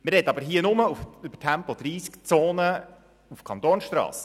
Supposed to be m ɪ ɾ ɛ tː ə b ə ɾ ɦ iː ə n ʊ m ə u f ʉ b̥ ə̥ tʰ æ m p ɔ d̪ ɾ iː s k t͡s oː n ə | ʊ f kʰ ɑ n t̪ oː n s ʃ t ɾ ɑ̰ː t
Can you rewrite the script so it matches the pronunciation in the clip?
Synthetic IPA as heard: m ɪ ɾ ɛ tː ɑ b ə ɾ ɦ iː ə n ʊ m ə u f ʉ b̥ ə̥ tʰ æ m p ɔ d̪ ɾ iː s k t͡s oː n ə | u f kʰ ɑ n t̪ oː n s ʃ t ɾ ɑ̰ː s